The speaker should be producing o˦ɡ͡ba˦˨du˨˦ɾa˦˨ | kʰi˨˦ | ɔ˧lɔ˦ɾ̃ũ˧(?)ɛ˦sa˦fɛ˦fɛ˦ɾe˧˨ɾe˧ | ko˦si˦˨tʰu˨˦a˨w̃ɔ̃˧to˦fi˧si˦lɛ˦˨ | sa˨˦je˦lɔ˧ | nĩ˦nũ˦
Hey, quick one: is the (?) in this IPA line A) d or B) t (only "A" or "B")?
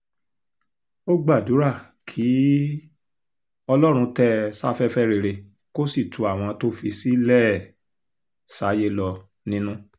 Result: B